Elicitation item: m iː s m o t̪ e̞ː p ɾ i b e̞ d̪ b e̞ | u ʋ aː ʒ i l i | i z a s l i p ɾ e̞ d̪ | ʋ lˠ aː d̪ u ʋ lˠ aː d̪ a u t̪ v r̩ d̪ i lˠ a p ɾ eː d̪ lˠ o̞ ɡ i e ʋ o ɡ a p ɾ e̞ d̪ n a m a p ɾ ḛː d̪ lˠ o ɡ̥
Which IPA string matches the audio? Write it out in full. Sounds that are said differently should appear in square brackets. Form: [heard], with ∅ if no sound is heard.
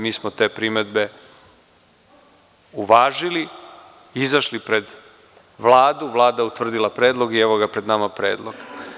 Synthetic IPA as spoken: m iː s m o t̪ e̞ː p ɾ i [m] e̞ d̪ b e̞ | u ʋ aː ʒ i l i | i z a [ʃ] l i p ɾ e̞ d̪ | ʋ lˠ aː d̪ u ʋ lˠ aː d̪ a u t̪ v r̩ d̪ i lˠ a p ɾ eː d̪ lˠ o̞ ɡ i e ʋ o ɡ a p ɾ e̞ d̪ n a m a p ɾ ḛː d̪ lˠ o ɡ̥

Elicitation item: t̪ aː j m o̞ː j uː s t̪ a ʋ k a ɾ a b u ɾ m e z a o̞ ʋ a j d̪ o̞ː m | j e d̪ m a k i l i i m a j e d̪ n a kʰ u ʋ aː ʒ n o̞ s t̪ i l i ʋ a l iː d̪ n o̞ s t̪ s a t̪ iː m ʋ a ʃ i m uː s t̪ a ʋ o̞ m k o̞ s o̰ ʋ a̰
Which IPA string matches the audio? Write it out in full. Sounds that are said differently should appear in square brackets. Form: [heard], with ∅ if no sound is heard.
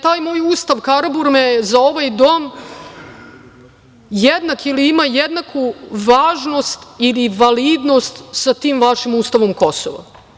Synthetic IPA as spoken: t̪ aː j m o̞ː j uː s t̪ a ʋ k a ɾ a b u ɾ m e z a o̞ ʋ a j d̪ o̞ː m | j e d̪ [n] a k i l i i m a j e d̪ n a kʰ u ʋ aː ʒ n o̞ s t̪ i l i ʋ a l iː d̪ n o̞ s t̪ s a t̪ iː m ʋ a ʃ i m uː s t̪ a ʋ o̞ m k o̞ s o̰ ʋ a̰

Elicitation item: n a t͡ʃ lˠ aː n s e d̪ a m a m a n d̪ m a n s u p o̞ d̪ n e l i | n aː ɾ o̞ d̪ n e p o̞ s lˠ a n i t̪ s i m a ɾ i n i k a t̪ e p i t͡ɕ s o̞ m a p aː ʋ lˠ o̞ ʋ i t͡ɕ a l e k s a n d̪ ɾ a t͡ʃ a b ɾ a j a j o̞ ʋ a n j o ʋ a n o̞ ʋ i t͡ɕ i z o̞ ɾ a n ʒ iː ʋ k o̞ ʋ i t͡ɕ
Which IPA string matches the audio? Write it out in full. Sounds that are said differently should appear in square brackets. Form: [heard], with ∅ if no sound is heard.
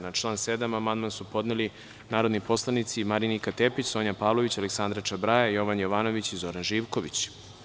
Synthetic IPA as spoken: n a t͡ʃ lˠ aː n s e d̪ a m a m a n d̪ m a n s u p o̞ d̪ n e l i | n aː ɾ o̞ d̪ n [i] p o̞ s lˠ a n i t̪ s i m a ɾ i n i k a t̪ e p i t͡ɕ s o̞ [ɲ] a p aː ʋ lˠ o̞ ʋ i t͡ɕ a l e k s a n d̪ ɾ a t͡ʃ a b ɾ a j a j o̞ ʋ a n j o ʋ a n o̞ ʋ i t͡ɕ i z o̞ ɾ a n ʒ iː ʋ k o̞ ʋ i t͡ɕ

